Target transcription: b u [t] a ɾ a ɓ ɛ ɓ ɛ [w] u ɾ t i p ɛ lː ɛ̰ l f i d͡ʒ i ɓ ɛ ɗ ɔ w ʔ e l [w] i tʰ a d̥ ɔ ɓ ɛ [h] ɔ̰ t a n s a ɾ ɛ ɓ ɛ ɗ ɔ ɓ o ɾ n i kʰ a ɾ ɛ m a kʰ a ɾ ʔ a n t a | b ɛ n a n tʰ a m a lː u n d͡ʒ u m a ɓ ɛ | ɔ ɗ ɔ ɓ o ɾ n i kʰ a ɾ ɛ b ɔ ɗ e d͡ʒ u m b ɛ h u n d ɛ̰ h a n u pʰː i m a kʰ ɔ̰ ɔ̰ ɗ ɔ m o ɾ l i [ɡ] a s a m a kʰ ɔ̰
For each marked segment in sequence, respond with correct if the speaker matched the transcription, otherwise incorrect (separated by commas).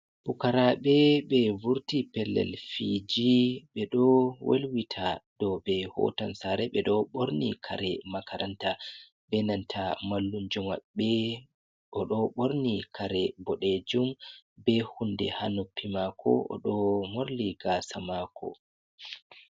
incorrect, incorrect, correct, correct, correct